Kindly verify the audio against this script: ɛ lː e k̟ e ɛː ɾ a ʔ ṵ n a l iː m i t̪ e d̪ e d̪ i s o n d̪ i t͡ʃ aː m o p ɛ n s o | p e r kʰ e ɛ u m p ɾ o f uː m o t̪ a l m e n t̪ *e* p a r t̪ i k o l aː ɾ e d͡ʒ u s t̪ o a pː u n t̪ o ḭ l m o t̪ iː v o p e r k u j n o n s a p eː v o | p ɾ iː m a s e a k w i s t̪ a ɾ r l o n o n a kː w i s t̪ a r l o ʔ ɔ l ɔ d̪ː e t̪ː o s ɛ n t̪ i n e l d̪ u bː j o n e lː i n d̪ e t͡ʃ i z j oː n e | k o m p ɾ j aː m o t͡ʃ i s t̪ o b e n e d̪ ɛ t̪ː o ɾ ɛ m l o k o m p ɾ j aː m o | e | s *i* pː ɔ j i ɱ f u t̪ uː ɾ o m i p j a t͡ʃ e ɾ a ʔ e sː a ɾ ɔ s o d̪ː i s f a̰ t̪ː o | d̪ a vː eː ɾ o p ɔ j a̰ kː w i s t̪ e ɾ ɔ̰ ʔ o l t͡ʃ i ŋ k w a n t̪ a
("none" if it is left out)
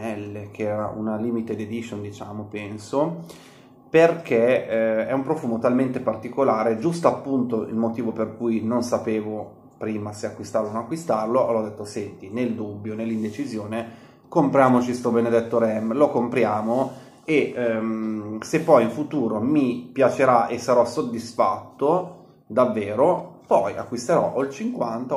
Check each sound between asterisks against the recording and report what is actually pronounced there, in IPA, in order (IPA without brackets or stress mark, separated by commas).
e, e